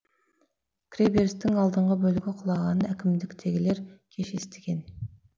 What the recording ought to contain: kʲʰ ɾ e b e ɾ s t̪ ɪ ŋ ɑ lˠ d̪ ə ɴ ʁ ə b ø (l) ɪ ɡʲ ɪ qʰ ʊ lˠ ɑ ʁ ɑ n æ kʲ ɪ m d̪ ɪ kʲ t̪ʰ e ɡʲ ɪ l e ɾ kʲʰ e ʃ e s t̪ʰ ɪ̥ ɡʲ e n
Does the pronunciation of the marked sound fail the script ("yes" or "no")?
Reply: no